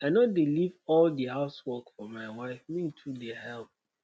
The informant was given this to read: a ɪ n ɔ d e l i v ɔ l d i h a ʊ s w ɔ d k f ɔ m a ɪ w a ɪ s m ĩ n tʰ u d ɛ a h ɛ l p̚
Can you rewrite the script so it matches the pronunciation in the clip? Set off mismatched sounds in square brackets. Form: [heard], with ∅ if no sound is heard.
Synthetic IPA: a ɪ n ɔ d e l i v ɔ l d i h a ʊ s w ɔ [∅] k f ɔ m a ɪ w a ɪ [f] m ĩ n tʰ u d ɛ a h ɛ l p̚